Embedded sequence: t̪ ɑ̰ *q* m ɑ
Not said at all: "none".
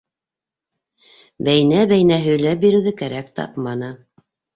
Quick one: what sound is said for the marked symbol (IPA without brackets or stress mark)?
p